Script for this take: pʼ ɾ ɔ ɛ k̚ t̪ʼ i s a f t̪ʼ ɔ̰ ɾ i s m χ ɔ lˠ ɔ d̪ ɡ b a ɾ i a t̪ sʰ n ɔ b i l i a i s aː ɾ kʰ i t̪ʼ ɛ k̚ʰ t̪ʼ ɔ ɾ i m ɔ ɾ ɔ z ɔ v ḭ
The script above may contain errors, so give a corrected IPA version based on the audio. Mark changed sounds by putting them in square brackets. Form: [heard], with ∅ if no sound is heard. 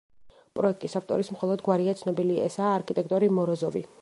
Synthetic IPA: pʼ ɾ ɔ ɛ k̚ t̪ʼ i s a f t̪ʼ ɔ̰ ɾ i s m χ ɔ lˠ ɔ d̪ ɡ [w] a ɾ i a t̪ sʰ n ɔ b i l i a [ɛ] s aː ɾ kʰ i t̪ʼ ɛ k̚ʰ t̪ʼ ɔ ɾ i m ɔ ɾ ɔ z ɔ v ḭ